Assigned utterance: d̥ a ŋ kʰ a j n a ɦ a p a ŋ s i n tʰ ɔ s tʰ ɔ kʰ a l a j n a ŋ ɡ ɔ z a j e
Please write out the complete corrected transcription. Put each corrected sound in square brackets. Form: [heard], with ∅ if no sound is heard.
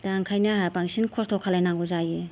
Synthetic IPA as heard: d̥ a ŋ kʰ a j n a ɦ a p a ŋ s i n [kʰ] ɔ s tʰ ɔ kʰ a l a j n a ŋ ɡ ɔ z a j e

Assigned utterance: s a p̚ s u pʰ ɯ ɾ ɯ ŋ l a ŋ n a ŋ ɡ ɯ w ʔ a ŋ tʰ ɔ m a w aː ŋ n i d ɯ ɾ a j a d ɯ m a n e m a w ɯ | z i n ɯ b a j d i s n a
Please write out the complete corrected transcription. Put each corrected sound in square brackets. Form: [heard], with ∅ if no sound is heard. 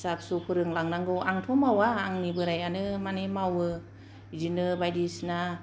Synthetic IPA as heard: s a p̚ s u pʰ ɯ ɾ ɯ ŋ l a ŋ n a ŋ ɡ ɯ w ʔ a ŋ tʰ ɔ m a w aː ŋ n i [b] ɯ ɾ a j a [n] ɯ m a n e m a w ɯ | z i n ɯ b a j d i s n a

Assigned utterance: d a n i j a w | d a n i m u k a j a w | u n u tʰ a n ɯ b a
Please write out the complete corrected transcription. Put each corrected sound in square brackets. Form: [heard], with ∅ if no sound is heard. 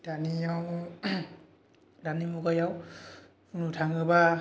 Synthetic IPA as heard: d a n i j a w | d a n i m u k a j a w | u n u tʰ a [ŋ] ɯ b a

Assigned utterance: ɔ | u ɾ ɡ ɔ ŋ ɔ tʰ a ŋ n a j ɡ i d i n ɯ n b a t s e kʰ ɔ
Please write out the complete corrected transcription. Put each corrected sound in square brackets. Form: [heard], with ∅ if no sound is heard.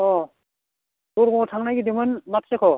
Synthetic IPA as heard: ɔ | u ɾ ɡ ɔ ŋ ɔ tʰ a ŋ n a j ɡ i d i [m] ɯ n [m] a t s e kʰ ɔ

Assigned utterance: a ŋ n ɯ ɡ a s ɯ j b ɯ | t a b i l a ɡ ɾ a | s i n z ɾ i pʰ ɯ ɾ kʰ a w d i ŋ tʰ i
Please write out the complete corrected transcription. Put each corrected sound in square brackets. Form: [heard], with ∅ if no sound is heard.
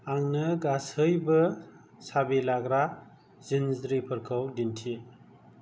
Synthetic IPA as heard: a ŋ n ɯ ɡ a s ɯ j b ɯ | [s] a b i l a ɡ ɾ a | [z] i n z ɾ i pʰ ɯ ɾ kʰ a w d i [n] tʰ i

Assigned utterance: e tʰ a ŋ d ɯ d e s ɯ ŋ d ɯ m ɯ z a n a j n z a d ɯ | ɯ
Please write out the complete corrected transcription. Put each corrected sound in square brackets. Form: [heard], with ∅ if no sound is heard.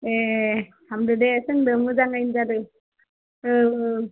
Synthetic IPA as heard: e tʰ a [m] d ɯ d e s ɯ ŋ d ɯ m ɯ z a [ŋ] a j n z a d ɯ | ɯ

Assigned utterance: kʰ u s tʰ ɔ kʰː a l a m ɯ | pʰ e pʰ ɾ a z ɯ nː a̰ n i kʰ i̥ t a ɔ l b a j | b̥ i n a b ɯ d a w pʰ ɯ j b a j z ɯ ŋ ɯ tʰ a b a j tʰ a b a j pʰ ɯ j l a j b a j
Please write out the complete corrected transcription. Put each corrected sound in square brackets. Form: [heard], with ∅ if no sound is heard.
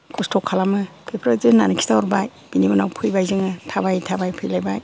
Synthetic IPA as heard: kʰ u s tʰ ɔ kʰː a l a m ɯ | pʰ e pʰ ɾ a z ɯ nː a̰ n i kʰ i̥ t a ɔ [ɾ] b a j | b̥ i n [i] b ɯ [n] a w pʰ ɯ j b a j z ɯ ŋ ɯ tʰ a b a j tʰ a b a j pʰ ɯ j l a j b a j

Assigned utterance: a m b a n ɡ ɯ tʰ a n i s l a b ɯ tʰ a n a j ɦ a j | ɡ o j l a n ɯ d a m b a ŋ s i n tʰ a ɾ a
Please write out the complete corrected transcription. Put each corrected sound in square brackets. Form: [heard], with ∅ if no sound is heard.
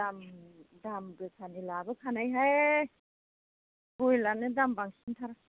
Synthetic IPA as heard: a m [d] a [m] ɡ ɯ [kʰ] a n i [∅] l a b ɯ [kʰ] a n a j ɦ a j | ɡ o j l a n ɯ d a m b a ŋ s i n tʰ a ɾ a

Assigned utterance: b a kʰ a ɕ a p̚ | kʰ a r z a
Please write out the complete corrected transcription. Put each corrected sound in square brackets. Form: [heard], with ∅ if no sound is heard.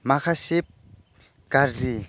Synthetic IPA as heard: [m] a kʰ a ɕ [e] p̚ | [k] a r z [i]

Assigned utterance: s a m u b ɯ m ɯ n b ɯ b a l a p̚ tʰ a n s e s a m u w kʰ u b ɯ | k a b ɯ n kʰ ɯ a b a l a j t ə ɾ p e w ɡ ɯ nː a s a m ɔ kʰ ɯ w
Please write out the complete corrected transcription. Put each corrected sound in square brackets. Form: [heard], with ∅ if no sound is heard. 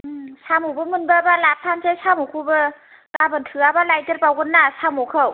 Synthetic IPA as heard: s a m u b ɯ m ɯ n b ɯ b a l a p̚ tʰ a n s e s a m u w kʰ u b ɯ | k a b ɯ n [tʰ] ɯ a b a l a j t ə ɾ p [a] w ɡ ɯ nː a s a m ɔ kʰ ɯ w

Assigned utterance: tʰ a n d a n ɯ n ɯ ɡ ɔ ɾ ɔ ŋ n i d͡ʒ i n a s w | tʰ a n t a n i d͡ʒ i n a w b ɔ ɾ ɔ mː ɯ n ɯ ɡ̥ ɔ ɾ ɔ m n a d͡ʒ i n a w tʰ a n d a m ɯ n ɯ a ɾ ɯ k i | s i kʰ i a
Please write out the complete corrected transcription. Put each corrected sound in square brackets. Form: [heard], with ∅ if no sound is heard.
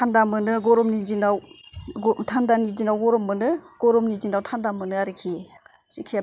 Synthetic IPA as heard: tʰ a n d a [m] ɯ n ɯ ɡ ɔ ɾ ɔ [m] n i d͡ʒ i n a [∅] w | tʰ a n [d] a n i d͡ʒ i n a w [ɡ] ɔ ɾ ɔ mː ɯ n ɯ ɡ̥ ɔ ɾ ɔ m n [i] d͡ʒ i n a w tʰ a n d a m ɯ n ɯ a ɾ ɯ [kʰ] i | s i kʰ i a

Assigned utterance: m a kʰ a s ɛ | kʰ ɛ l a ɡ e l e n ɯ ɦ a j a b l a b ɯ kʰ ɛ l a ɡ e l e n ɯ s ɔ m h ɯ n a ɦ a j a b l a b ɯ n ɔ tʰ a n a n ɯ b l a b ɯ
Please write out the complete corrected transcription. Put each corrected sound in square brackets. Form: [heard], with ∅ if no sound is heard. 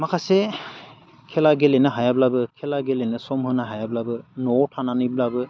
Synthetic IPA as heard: m a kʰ a s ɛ | kʰ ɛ l a ɡ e l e n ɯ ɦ a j a b l a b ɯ kʰ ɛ l a ɡ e l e n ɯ s ɔ m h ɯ n a ɦ a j a b l a b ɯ n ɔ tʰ a n a n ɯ b l a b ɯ

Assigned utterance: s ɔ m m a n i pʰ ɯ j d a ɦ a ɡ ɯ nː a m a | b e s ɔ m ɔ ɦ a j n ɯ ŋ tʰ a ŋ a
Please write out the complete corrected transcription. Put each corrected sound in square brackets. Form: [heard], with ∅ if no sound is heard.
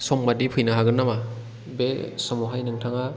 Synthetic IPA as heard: s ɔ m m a [d] i pʰ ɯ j [n] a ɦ a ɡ ɯ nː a m a | b e s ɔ m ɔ ɦ a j n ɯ ŋ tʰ a ŋ a

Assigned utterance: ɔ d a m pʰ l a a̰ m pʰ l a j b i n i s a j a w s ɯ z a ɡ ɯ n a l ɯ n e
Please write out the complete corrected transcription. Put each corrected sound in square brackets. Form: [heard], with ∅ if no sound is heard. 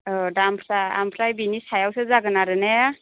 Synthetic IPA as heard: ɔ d a m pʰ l a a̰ m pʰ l a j b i n i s a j a w s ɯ z a ɡ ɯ n a [ɾ] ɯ n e

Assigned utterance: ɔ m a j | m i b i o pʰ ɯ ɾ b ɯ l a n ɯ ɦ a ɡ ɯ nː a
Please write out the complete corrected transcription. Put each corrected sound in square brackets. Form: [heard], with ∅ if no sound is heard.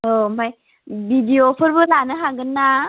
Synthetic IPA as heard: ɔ m a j | [b] i [d] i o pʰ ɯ ɾ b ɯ l a n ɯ ɦ a ɡ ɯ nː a

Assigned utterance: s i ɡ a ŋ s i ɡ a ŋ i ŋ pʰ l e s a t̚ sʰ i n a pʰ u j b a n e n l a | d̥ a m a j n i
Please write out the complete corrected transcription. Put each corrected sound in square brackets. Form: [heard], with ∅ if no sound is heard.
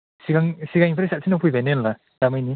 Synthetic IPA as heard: s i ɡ a ŋ s i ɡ a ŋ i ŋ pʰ [ɾ] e s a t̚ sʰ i n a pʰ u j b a n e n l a | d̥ a m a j n i

